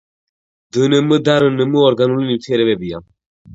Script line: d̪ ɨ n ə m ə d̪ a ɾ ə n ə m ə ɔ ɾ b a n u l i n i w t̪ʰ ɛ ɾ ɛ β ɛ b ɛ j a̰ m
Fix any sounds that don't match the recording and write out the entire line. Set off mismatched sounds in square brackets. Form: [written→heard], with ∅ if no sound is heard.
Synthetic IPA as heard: d̪ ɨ n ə m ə d̪ a ɾ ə n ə m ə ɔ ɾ [b→ɡ] a n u l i n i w t̪ʰ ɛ ɾ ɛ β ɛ b [ɛ→i] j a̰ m